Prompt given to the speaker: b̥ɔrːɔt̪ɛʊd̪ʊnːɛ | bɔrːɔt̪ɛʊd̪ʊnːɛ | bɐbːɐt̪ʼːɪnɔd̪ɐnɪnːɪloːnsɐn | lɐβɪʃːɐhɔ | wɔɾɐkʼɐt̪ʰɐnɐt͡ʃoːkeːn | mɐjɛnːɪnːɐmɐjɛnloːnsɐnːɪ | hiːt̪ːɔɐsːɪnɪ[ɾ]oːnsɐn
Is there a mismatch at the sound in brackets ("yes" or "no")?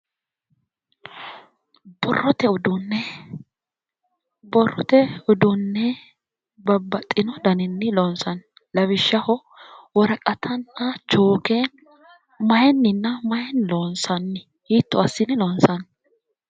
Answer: yes